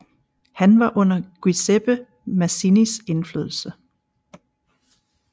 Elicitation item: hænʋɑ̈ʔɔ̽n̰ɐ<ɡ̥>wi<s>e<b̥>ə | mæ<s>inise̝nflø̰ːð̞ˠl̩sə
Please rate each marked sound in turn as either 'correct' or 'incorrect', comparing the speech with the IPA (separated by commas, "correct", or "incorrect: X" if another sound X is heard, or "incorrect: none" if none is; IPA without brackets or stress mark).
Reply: correct, correct, correct, correct